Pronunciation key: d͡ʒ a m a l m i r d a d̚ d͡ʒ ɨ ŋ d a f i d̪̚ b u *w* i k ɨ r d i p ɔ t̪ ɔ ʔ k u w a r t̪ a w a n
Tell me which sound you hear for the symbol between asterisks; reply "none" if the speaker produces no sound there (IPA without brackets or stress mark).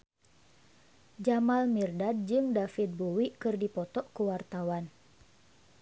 w